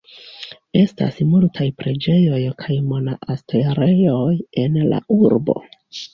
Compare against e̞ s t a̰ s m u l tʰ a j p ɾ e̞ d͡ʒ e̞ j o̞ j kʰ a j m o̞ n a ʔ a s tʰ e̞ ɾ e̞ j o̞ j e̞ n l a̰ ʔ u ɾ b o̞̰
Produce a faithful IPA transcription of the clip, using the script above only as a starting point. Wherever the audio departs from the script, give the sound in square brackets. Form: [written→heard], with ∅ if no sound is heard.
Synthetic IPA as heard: e̞ s t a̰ s m u l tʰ a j p ɾ e̞ d͡ʒ e̞ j o̞ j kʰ a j m o̞ n a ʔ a s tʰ e̞ ɾ e̞ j o̞ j e̞ n l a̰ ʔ u ɾ b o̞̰